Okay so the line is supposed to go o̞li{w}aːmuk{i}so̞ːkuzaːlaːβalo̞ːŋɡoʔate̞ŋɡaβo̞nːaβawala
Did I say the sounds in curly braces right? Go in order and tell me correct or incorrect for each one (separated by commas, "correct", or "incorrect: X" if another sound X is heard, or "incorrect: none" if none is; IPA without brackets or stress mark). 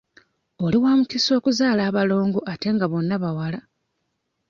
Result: correct, correct